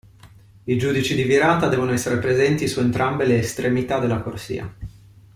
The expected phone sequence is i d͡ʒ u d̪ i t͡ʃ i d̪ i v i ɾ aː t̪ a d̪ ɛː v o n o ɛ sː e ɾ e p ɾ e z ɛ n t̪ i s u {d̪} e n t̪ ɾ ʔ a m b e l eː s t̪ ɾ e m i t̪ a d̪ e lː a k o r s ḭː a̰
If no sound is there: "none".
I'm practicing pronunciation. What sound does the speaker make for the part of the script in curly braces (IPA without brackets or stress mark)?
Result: none